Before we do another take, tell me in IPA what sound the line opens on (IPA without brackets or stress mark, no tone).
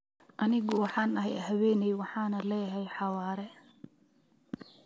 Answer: ʔ